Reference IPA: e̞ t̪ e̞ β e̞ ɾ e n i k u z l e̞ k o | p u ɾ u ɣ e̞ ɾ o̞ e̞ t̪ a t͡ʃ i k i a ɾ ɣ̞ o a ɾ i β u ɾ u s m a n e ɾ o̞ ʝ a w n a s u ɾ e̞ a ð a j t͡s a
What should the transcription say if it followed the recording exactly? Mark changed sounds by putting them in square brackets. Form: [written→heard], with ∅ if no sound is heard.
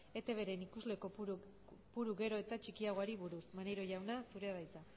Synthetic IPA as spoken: e̞ t̪ e̞ β e̞ ɾ e n i k u z l e̞ k o | p u ɾ u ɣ e̞ ɾ o̞ e̞ t̪ a t͡ʃ i k i a [ɾ→∅] ɣ̞ o a ɾ i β u ɾ u s m a n e ɾ o̞ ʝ a w n a s u ɾ e̞ a ð a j t͡s a

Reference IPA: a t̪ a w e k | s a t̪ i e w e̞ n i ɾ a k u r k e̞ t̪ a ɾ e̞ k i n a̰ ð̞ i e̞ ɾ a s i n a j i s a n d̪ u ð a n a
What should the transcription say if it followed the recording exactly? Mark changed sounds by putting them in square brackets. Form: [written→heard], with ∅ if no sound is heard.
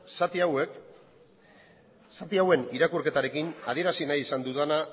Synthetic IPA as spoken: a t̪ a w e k | s a t̪ i [e→a] w e̞ n i ɾ a k u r k e̞ t̪ a ɾ e̞ k i n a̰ ð̞ i e̞ ɾ a s i n a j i s a n d̪ u ð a n a

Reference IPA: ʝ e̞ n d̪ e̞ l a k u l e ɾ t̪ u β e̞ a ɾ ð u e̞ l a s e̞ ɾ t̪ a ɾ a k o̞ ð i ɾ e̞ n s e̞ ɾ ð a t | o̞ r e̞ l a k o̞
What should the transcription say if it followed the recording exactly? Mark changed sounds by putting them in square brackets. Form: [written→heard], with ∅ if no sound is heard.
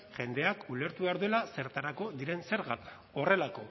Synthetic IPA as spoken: ʝ e̞ n d̪ e̞ [l→∅] a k u l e ɾ t̪ u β e̞ a ɾ ð u e̞ l a s e̞ ɾ t̪ a ɾ a k o̞ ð i ɾ e̞ n s e̞ ɾ [ð→ɣ] a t | o̞ r e̞ l a k o̞

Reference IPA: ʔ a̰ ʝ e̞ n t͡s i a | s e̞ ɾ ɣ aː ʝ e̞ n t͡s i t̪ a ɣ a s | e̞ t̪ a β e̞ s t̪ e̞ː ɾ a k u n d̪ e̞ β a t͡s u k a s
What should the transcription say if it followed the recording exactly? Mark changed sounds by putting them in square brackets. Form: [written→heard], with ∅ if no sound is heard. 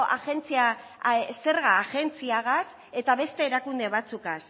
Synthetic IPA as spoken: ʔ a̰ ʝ e̞ n t͡s i a | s e̞ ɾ ɣ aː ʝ e̞ n t͡s i [t̪→∅] a ɣ a s | e̞ t̪ a β e̞ s t̪ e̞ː ɾ a k u n d̪ e̞ β a t͡s u k a s

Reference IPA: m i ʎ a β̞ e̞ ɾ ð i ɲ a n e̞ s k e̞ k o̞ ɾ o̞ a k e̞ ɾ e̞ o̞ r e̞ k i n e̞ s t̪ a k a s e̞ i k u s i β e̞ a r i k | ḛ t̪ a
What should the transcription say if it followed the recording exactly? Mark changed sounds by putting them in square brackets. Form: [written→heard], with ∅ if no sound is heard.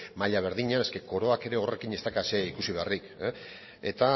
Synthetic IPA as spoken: m [i→a] ʎ a β̞ e̞ ɾ ð i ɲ a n e̞ s k e̞ k o̞ ɾ o̞ a k e̞ ɾ e̞ o̞ r e̞ k i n e̞ s t̪ a k a s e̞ i k u s i β e̞ a r i k | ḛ t̪ a

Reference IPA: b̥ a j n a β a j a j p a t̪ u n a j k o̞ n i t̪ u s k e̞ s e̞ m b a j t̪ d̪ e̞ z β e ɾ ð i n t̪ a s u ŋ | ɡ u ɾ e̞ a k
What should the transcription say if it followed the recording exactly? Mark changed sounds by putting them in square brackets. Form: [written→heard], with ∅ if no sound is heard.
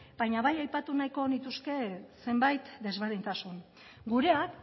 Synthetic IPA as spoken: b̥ a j [n→ɲ] a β a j a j p a t̪ u n a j k o̞ n i t̪ u s k e̞ s e̞ m b a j t̪ d̪ e̞ z β e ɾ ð i n t̪ a s u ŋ | ɡ u ɾ e̞ a k

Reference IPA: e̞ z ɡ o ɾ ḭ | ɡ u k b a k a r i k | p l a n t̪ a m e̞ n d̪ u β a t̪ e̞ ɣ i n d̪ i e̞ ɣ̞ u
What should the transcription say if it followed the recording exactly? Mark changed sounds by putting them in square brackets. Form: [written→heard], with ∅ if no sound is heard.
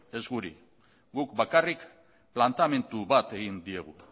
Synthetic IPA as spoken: e̞ z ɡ [o→u] ɾ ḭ | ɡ u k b a k a r i k | p l a n t̪ a m e̞ n [d̪→t̪] u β a t̪ e̞ ɣ i n d̪ i e̞ ɣ̞ u

